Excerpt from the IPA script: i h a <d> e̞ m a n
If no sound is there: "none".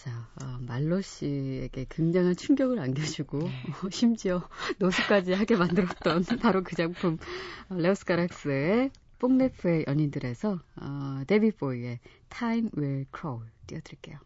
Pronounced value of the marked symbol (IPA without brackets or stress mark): ɡ